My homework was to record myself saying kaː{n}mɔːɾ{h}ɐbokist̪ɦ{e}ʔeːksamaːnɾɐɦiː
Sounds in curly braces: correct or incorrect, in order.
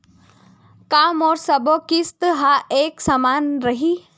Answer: incorrect: none, incorrect: s, incorrect: a

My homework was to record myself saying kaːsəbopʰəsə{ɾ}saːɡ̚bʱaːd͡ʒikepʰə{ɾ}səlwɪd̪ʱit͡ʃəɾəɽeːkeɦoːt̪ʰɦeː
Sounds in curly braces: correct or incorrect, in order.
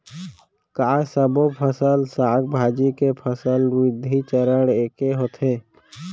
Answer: incorrect: l, incorrect: none

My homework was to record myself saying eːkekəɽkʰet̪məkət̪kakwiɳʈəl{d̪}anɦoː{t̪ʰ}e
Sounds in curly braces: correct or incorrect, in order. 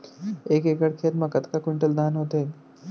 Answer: correct, incorrect: t̪

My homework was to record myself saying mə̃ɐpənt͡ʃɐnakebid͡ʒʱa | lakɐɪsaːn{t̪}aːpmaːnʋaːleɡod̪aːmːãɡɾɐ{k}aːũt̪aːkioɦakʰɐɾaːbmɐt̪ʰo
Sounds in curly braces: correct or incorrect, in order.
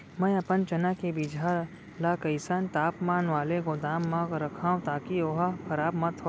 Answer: correct, incorrect: kʰ

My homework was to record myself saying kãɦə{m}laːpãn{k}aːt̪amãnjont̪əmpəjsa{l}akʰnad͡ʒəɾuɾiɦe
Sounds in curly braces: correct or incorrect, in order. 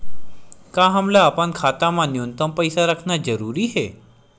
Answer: correct, incorrect: kʰ, incorrect: ɾ

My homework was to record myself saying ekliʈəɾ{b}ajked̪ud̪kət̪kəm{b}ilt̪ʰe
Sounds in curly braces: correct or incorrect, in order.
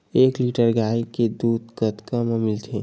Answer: incorrect: ɡ, incorrect: m

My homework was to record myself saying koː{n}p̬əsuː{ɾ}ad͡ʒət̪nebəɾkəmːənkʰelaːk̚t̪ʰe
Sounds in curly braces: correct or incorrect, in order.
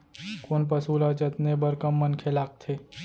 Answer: correct, incorrect: l

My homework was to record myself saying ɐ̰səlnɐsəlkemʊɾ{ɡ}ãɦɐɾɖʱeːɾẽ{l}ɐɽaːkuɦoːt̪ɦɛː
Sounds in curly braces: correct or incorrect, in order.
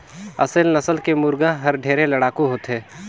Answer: correct, correct

